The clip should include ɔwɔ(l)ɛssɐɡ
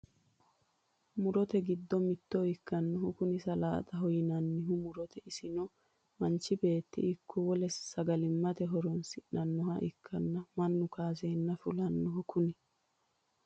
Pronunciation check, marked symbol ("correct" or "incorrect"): correct